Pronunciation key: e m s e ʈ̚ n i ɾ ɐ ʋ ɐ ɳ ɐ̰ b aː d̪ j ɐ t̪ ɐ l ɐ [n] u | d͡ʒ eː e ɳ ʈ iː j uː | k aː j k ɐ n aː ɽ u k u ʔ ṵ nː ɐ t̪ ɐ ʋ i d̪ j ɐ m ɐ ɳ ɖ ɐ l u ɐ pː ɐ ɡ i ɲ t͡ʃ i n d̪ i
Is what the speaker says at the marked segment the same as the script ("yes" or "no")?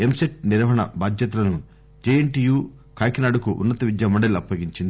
yes